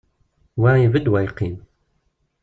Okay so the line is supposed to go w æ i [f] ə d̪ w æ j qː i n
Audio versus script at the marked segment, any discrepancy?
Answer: yes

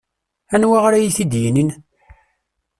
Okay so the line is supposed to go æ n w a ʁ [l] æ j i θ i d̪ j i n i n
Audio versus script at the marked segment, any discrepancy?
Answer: yes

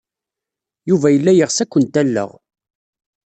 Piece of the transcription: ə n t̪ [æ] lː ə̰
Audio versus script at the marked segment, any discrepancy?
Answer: no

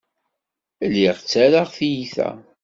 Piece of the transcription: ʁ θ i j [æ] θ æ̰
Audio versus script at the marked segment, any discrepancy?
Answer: yes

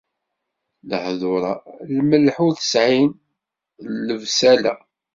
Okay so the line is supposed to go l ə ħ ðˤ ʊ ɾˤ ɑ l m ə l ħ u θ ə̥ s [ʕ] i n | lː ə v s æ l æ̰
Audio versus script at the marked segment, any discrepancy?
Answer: no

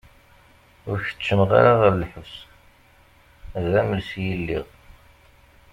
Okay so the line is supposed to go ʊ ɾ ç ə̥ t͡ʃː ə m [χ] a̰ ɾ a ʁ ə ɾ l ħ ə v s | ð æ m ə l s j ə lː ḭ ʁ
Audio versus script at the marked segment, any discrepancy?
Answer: yes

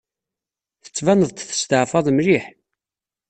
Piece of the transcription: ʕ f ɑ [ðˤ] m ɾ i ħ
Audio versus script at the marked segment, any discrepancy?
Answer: no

